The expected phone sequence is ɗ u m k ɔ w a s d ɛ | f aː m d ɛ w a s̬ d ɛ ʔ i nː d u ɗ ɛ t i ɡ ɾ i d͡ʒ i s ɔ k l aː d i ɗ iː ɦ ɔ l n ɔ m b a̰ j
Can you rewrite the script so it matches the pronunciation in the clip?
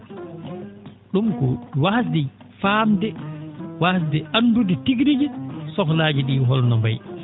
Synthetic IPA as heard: ɗ u m k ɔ w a s d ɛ | f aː m d ɛ w a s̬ d ɛ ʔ a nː d u d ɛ t i ɡ ɾ i d͡ʒ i s ɔ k l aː d͡ʒ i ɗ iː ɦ ɔ l n ɔ m b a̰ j